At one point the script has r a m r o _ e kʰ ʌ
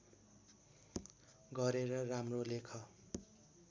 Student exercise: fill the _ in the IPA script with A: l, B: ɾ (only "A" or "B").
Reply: A